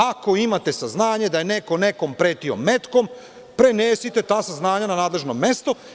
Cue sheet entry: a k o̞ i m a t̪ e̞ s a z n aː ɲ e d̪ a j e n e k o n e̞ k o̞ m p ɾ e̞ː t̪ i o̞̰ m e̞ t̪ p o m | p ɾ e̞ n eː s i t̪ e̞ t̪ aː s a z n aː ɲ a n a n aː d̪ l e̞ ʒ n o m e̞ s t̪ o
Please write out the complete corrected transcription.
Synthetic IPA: a k o̞ i m a t̪ e̞ s a z n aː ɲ e d̪ a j e n e k o n e̞ k o̞ m p ɾ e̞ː t̪ i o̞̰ m e̞ t̪ k o m | p ɾ e̞ n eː s i t̪ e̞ t̪ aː s a z n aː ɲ a n a n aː d̪ l e̞ ʒ n o m e̞ s t̪ o